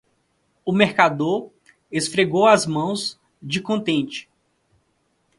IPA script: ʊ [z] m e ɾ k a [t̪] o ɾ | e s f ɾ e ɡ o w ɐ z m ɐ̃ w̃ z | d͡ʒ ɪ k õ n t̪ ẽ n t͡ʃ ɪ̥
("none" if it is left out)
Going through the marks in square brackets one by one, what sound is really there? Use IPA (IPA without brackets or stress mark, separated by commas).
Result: none, d̪